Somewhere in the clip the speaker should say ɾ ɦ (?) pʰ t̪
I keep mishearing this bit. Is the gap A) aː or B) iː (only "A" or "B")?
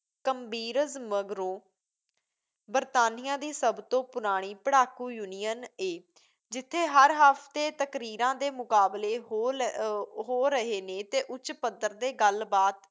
A